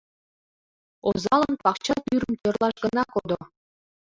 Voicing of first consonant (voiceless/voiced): voiced